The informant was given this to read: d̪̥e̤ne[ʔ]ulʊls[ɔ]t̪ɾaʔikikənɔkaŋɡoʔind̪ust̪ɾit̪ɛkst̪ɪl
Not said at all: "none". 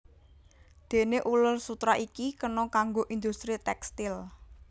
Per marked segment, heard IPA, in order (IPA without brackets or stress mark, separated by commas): ʔ, u